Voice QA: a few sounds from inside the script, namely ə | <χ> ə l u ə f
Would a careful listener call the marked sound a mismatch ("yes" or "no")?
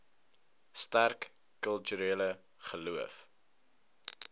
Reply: no